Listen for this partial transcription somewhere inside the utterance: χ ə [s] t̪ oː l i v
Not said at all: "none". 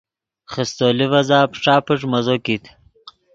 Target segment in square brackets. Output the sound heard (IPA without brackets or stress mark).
s